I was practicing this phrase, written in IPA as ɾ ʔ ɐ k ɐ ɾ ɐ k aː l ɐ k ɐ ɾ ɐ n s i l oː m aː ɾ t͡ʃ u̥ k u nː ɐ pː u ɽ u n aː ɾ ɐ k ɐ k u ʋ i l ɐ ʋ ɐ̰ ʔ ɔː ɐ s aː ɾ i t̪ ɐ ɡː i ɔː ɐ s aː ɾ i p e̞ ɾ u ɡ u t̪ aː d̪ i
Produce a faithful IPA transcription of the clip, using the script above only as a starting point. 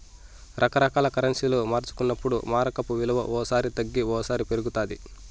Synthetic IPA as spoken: ɾ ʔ ɐ k ɐ ɾ ɐ k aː l ɐ k ɐ ɾ ɐ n s i l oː m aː ɾ t͡ʃ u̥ k u nː ɐ pː u ɽ u m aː ɾ ɐ k ɐ p u ʋ i l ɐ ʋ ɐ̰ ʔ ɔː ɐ s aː ɾ i t̪ ɐ ɡː i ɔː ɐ s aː ɾ i p e̞ ɾ u ɡ u t̪ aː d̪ i